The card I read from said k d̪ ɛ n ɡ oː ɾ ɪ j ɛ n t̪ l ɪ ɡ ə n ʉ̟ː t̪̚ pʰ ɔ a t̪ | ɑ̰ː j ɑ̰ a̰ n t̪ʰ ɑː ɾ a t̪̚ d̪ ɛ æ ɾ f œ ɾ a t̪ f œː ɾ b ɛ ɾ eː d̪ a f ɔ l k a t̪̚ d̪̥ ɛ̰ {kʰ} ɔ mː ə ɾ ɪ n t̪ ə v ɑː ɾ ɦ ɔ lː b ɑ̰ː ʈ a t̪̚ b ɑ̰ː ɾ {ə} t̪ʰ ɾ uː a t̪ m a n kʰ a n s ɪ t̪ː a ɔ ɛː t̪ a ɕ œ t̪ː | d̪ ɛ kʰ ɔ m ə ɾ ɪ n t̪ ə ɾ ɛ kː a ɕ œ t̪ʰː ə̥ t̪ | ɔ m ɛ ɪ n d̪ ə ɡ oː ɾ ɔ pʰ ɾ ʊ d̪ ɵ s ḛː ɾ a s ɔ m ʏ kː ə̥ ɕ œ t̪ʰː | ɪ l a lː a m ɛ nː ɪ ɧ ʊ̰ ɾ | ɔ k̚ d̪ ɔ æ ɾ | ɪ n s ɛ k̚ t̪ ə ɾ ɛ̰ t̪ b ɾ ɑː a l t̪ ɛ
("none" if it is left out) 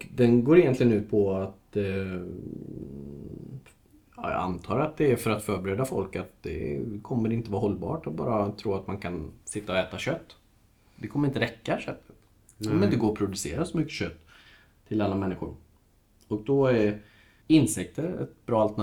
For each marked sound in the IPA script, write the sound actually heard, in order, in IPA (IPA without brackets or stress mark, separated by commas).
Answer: kʰ, a